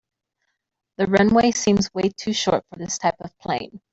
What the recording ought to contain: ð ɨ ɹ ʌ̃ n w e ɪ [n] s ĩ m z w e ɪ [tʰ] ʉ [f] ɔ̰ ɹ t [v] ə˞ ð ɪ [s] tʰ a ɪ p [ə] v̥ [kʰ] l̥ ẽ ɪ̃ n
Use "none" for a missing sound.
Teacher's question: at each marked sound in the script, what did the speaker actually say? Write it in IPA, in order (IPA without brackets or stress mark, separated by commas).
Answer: none, tʰ, ʃ, f, s, ʌ, pʰ